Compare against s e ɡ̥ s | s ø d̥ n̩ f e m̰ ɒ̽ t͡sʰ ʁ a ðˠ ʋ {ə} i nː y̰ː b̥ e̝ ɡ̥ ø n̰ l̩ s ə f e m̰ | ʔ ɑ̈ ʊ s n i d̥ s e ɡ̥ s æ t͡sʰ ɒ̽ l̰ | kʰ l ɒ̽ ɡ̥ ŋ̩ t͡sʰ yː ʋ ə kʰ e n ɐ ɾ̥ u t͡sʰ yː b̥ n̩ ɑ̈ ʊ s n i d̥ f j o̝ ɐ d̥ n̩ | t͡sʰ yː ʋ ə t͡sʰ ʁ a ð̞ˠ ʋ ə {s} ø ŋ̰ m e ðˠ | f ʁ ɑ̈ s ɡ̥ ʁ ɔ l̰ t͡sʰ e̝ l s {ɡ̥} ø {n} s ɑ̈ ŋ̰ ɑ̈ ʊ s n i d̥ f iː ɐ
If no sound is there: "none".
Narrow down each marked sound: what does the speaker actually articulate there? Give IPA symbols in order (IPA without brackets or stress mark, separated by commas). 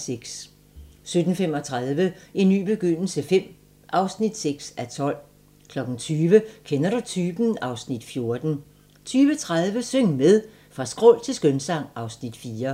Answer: ə, s, ɡ̥, n